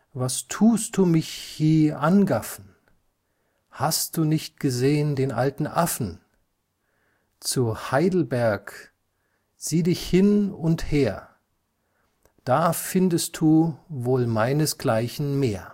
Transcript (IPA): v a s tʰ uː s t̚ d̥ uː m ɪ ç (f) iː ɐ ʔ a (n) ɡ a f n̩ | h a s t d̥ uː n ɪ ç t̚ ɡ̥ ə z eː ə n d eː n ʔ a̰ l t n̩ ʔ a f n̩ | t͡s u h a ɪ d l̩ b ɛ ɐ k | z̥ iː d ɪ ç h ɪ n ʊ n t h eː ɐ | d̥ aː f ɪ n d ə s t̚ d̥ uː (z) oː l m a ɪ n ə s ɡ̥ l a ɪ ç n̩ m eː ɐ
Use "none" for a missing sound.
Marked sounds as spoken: h, n, v

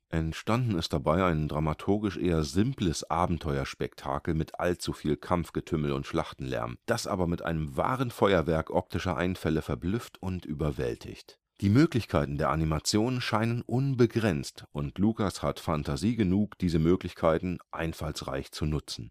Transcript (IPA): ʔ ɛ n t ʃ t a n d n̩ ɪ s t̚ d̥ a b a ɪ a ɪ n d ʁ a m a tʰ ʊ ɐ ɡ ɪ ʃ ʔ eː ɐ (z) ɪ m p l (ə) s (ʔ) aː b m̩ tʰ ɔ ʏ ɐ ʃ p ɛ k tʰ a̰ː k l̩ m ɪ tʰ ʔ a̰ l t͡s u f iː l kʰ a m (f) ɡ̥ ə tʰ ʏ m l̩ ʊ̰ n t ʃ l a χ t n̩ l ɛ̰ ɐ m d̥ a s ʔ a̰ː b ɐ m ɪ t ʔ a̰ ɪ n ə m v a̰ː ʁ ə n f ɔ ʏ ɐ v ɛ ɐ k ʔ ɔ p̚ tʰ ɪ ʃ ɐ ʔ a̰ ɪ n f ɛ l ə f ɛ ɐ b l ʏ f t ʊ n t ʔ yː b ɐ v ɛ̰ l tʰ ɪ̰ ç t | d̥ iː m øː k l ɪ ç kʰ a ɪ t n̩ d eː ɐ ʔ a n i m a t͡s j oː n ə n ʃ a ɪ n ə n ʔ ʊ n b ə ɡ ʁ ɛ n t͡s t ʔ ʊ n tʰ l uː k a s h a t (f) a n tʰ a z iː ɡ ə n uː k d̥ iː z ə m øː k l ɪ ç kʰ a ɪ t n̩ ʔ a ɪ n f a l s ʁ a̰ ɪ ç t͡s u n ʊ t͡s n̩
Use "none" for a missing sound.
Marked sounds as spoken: z, ə, ʔ, f, f

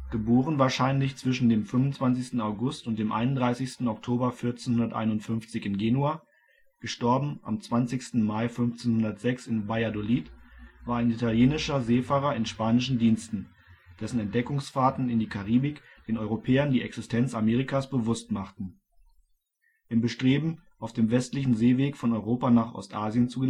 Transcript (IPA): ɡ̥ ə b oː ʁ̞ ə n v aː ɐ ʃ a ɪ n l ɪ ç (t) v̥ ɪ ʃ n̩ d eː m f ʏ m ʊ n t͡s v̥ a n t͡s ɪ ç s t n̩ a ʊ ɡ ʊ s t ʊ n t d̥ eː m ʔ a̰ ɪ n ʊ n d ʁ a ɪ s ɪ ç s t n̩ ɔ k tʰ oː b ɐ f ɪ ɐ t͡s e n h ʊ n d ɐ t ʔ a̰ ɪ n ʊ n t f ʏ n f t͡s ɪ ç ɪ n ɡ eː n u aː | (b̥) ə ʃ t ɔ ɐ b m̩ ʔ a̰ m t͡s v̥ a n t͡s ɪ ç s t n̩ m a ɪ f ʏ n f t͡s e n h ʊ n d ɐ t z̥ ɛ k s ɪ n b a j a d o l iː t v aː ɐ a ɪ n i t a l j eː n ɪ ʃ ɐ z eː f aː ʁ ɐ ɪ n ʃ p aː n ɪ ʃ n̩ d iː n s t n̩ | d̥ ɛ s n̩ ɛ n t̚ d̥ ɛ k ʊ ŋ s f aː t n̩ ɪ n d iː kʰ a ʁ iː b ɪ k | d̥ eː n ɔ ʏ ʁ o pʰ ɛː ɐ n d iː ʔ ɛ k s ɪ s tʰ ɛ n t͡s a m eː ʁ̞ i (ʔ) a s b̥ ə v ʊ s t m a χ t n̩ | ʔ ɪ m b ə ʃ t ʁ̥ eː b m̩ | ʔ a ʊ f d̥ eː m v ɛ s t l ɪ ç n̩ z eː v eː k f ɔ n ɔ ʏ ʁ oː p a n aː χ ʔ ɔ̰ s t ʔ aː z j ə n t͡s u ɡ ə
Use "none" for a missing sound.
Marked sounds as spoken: t͡s, ɡ̥, k

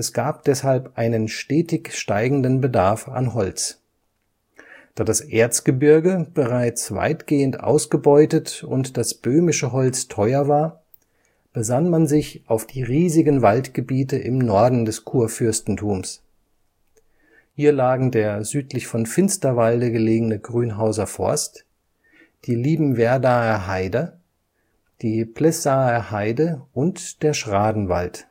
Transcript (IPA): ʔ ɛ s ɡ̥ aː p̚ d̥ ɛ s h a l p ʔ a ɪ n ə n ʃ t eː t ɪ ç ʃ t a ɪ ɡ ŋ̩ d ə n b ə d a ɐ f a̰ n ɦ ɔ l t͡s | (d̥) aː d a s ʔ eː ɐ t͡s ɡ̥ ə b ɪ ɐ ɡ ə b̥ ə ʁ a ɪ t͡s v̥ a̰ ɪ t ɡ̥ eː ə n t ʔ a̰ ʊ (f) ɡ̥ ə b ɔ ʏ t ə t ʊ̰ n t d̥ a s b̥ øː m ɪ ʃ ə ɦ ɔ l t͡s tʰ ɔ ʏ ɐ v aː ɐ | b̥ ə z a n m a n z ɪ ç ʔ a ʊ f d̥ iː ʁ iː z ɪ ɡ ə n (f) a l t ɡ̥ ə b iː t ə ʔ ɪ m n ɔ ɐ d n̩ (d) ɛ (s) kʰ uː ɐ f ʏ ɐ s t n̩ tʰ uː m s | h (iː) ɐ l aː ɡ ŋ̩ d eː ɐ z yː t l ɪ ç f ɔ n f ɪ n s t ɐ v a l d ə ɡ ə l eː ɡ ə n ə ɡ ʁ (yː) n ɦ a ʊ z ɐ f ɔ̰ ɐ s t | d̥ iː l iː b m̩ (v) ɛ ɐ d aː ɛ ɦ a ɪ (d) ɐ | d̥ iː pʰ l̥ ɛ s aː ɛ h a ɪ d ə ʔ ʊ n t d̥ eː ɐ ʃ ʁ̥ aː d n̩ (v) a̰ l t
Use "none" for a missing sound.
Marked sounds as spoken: d̥, s, v, d, s, iː, yː, v, d, v

